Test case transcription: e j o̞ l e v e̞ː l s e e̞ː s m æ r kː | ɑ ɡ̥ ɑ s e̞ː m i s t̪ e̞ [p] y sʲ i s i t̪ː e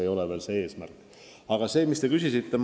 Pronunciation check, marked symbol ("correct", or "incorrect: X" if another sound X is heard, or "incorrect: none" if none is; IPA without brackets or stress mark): incorrect: k